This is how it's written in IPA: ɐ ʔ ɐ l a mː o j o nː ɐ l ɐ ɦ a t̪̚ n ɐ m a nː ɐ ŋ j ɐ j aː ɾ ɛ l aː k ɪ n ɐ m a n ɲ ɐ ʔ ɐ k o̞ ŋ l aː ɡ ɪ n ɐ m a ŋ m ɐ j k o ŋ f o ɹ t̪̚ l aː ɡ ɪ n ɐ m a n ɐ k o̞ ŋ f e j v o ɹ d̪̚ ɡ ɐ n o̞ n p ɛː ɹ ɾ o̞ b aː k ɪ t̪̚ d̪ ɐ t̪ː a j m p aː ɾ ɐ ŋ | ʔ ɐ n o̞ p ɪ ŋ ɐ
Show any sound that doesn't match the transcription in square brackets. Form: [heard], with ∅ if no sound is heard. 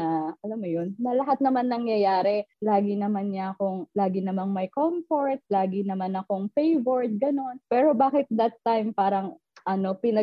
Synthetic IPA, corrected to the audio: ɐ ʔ ɐ l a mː o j o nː ɐ l ɐ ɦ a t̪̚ n ɐ m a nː ɐ ŋ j ɐ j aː ɾ ɛ l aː [ɡ] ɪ n ɐ m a n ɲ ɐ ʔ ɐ k o̞ ŋ l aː ɡ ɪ n ɐ m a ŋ m ɐ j k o [m] f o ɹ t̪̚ l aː ɡ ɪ n ɐ m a n ɐ k o̞ ŋ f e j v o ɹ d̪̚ ɡ ɐ n o̞ n p ɛː [∅] ɾ o̞ b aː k ɪ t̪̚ d̪ ɐ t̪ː a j m p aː ɾ ɐ ŋ | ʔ ɐ n o̞ p ɪ [n] ɐ